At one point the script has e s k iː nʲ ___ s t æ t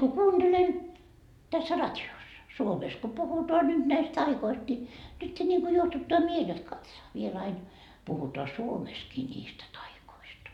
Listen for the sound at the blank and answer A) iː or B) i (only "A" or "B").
A